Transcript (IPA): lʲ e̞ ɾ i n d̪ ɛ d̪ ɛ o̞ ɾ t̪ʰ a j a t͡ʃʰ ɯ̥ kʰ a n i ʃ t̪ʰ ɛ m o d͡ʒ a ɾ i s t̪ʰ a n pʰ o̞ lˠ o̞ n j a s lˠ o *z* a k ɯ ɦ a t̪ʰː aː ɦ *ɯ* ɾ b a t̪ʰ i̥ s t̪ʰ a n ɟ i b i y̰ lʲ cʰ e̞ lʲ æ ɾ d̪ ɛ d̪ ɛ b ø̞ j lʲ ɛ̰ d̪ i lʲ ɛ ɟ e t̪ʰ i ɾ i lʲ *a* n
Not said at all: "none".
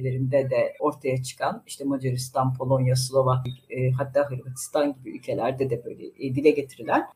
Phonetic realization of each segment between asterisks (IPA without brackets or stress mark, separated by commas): v, ɯ, æ